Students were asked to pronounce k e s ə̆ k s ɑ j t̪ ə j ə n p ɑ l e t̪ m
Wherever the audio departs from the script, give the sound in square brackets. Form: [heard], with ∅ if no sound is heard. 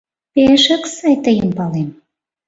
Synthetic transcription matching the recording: [p] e [ʃ] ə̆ k s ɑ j t̪ ə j ə [m] p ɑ l e [∅] m